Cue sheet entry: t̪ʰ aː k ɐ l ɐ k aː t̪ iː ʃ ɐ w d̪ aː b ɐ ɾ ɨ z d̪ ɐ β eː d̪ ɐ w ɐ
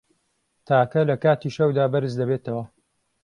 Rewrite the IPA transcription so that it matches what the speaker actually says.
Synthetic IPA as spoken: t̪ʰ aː k ɐ l ɐ k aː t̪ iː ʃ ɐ w d̪ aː b ɐ ɾ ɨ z d̪ ɐ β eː t̪ ɐ w ɐ